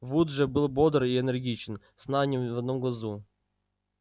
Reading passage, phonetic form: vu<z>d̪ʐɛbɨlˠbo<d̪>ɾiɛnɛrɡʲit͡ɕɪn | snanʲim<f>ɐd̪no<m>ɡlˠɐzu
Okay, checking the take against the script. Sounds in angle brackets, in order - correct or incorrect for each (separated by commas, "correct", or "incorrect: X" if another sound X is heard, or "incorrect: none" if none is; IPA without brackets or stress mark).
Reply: incorrect: none, correct, incorrect: v, correct